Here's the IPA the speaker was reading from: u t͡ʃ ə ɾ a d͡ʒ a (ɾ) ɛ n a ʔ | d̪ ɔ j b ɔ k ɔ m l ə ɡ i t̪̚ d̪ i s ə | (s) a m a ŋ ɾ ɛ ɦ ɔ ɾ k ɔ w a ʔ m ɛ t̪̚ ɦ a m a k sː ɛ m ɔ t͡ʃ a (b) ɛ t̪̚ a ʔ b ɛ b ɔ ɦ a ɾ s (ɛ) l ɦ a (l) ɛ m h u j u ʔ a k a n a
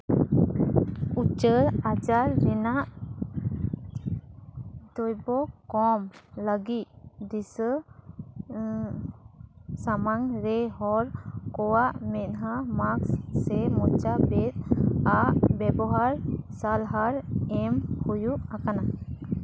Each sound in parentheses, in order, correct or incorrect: incorrect, correct, correct, incorrect, incorrect

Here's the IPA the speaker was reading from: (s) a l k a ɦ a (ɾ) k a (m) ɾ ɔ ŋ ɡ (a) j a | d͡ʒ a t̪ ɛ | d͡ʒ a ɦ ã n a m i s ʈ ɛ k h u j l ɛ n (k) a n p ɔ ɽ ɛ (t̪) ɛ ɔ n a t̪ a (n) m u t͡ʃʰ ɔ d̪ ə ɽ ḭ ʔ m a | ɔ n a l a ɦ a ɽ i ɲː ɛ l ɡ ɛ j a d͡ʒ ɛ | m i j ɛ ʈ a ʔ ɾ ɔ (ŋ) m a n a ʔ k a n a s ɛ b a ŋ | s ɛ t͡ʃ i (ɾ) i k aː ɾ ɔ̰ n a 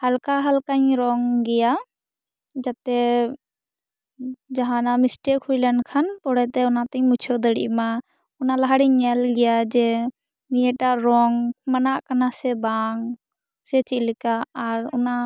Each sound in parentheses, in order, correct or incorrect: incorrect, incorrect, incorrect, incorrect, incorrect, correct, incorrect, correct, incorrect

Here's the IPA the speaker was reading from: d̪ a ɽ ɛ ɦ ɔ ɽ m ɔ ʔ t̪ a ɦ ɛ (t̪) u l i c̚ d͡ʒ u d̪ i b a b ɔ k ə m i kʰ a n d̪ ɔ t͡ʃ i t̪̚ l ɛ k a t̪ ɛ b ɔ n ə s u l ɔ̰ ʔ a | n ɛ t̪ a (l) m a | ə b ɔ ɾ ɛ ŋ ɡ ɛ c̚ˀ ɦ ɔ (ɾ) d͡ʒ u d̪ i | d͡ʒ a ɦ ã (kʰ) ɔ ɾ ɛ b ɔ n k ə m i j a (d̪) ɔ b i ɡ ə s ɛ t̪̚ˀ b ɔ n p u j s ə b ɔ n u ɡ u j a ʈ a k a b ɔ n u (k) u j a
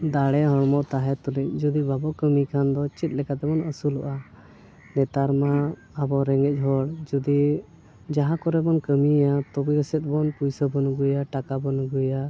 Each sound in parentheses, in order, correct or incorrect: correct, incorrect, incorrect, incorrect, incorrect, incorrect

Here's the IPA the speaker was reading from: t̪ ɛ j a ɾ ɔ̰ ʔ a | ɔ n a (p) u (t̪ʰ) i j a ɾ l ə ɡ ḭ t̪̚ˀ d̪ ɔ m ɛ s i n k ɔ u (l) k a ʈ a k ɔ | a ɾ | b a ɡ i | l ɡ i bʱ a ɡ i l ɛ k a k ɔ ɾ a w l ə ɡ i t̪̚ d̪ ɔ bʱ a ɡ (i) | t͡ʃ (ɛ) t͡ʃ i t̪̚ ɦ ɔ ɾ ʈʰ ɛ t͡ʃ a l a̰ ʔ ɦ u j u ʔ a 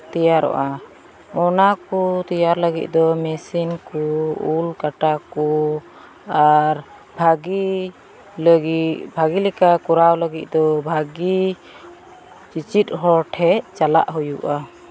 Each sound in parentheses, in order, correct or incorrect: incorrect, incorrect, correct, correct, incorrect

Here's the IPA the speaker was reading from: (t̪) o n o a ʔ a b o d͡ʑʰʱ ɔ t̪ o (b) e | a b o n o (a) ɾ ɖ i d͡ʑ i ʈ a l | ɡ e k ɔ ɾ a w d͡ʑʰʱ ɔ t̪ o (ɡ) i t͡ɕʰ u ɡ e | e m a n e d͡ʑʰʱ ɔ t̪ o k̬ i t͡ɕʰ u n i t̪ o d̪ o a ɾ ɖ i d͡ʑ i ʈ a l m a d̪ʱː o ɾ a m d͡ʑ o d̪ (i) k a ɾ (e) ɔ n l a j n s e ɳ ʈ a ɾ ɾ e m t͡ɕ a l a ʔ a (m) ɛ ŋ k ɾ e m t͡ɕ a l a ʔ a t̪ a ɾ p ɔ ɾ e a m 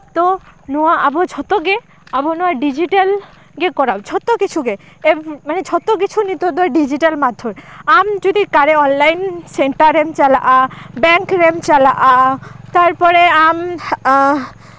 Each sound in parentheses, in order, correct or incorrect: correct, incorrect, correct, incorrect, correct, correct, incorrect

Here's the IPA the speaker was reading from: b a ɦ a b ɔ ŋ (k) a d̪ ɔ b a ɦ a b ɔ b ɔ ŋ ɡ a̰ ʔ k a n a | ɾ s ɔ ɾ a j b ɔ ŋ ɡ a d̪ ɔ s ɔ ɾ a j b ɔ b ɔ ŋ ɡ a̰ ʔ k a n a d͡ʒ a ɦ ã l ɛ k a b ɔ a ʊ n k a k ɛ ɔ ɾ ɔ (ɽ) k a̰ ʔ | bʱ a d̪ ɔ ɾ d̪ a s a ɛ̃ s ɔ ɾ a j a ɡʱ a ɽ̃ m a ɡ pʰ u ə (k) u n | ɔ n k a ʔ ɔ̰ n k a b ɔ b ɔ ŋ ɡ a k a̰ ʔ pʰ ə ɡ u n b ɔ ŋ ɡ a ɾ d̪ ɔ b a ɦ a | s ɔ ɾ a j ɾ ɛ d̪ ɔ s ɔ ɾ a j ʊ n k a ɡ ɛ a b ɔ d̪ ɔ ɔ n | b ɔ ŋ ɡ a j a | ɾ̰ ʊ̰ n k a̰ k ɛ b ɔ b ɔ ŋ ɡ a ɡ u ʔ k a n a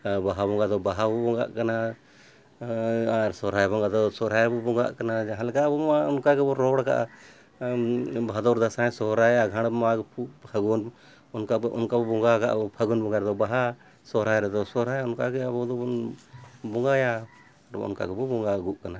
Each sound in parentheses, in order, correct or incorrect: incorrect, correct, incorrect

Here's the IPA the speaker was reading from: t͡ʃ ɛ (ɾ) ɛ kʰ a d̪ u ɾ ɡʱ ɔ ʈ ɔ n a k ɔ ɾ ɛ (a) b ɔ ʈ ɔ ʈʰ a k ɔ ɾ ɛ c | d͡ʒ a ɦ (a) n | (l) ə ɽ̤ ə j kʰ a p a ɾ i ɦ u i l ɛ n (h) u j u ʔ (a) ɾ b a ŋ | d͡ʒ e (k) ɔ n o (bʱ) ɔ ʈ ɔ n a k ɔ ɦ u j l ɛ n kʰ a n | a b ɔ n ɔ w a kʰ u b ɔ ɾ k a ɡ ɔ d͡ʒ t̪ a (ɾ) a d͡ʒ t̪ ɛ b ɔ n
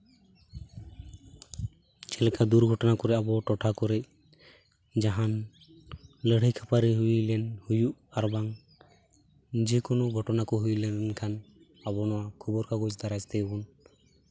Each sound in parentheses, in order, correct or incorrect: incorrect, correct, correct, correct, correct, correct, correct, incorrect, correct

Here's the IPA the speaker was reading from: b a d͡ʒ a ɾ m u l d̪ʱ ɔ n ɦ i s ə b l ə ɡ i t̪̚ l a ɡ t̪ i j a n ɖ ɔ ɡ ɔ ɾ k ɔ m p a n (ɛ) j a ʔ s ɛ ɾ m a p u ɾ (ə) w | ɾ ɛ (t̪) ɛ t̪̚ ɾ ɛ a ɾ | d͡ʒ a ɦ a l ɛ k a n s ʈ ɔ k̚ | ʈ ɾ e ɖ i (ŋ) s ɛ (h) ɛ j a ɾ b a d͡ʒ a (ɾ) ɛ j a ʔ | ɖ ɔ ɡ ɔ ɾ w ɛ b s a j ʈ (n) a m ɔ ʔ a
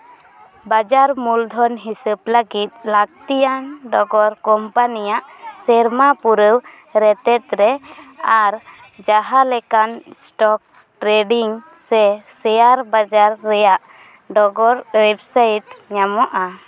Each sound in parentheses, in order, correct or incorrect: incorrect, correct, correct, correct, incorrect, incorrect, incorrect

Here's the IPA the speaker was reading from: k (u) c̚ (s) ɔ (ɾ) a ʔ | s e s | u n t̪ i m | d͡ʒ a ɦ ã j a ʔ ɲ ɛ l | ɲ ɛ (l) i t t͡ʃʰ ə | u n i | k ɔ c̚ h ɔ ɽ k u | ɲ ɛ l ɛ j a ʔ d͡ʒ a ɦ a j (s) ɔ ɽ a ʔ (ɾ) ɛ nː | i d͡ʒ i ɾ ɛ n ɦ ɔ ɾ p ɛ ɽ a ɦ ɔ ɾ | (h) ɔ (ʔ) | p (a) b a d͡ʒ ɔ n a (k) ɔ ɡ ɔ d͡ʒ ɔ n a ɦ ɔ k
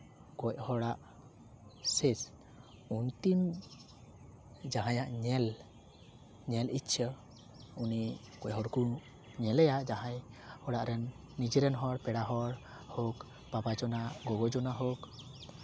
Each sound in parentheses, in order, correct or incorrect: incorrect, incorrect, incorrect, correct, incorrect, correct, correct, incorrect, correct, incorrect

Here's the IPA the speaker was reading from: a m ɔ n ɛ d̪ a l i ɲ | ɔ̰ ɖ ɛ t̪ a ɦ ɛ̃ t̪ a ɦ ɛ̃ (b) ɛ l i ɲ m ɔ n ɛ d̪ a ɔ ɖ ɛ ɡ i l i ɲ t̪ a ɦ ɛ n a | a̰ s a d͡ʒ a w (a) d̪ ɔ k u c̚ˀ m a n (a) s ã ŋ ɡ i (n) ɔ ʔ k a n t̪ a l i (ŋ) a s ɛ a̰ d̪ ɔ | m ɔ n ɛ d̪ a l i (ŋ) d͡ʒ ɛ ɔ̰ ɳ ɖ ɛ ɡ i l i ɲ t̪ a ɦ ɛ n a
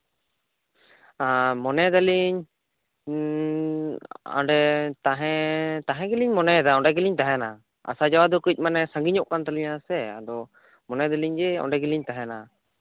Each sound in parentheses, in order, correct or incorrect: incorrect, correct, incorrect, incorrect, incorrect, incorrect

